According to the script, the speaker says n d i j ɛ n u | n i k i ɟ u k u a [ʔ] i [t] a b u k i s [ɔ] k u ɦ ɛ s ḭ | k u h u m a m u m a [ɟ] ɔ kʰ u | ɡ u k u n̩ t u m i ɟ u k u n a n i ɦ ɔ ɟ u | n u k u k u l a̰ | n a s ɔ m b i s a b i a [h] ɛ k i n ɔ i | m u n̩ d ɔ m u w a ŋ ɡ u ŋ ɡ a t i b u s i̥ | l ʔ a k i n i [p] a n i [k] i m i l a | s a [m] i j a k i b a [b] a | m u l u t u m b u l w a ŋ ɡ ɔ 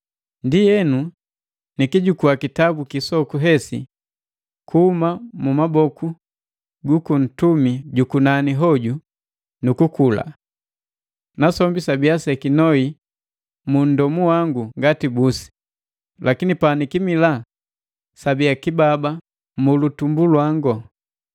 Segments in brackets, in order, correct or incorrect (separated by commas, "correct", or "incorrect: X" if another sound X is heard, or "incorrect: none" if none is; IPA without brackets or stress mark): incorrect: k, correct, correct, incorrect: b, incorrect: s, correct, correct, incorrect: b, correct